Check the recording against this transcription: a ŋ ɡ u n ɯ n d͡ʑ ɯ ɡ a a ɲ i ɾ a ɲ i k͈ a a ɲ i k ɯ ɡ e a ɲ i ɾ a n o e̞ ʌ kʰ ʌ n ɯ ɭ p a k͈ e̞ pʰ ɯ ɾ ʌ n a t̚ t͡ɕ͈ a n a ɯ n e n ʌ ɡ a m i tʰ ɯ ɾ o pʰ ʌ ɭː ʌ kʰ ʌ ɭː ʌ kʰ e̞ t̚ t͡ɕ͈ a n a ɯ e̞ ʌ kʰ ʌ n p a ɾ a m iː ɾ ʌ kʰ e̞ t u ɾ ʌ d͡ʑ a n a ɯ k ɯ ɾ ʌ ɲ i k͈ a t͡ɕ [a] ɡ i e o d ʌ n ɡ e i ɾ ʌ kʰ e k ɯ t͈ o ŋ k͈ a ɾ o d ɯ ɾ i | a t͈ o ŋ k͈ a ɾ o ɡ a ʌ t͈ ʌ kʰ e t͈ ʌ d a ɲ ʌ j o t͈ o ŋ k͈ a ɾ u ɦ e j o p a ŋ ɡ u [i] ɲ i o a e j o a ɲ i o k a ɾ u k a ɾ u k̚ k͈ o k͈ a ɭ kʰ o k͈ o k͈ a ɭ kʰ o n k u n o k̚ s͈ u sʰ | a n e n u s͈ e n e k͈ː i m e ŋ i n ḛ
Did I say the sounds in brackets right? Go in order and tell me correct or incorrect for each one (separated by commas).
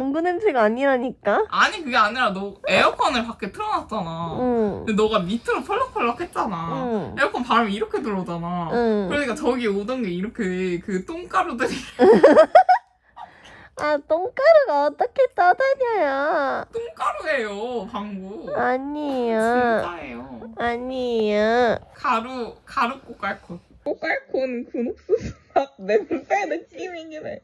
incorrect, incorrect